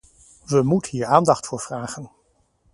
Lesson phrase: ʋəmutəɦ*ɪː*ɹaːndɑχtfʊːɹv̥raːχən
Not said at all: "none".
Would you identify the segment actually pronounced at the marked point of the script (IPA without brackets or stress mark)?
iː